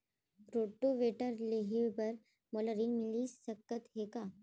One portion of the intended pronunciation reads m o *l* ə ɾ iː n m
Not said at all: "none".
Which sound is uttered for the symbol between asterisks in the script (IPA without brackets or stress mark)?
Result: l